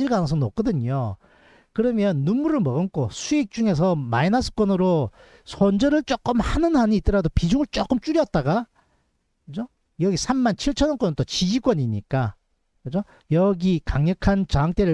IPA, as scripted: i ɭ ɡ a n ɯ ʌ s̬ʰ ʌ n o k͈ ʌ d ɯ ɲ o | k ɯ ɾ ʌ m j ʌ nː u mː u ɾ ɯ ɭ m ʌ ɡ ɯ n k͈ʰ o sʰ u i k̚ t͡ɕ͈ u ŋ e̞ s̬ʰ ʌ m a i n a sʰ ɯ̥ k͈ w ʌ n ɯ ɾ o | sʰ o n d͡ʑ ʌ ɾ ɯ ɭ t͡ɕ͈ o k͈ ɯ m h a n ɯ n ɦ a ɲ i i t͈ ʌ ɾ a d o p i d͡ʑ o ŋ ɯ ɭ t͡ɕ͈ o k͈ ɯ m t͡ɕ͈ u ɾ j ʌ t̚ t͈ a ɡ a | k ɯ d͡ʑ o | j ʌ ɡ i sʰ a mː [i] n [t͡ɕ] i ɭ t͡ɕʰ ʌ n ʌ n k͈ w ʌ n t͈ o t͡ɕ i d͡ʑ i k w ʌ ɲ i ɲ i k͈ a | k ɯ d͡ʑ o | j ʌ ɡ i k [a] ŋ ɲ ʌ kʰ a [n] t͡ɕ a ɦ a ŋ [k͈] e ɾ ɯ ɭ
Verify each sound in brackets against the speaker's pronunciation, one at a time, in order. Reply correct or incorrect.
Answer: incorrect: a, incorrect: t͡ɕʰ, correct, correct, incorrect: t͈

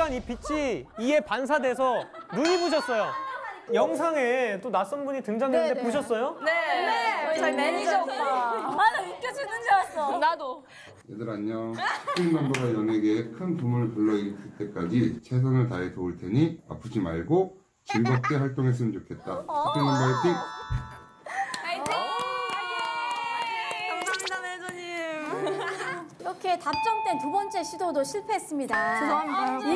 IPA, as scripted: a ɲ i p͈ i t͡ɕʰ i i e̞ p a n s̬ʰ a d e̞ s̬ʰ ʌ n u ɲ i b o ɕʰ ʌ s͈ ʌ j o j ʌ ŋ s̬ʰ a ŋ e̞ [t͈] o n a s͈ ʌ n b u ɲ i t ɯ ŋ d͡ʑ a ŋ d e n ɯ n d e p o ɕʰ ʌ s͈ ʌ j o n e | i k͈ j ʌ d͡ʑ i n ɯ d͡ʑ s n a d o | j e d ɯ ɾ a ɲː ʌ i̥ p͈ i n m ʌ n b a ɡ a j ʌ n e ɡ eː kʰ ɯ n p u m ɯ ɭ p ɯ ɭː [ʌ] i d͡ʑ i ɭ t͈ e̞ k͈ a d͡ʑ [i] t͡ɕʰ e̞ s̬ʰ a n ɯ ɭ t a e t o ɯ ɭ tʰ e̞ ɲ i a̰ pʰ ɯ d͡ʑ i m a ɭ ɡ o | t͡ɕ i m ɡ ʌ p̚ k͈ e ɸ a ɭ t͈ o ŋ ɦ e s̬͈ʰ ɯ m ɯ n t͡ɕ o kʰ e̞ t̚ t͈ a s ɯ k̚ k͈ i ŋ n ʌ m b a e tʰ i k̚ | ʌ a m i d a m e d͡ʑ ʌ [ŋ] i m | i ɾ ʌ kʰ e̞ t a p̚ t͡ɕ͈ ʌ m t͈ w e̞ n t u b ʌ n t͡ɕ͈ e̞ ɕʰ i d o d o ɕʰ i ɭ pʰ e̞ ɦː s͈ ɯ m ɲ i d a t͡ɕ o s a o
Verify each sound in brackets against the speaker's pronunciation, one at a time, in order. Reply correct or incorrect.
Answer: correct, correct, correct, incorrect: ɲ

